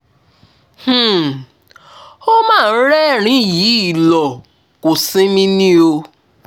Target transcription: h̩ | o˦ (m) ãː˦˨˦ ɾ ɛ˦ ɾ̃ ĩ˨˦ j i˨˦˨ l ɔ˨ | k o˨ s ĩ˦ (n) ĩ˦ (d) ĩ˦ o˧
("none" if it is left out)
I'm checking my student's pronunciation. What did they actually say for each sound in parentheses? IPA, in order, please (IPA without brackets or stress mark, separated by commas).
m, m, n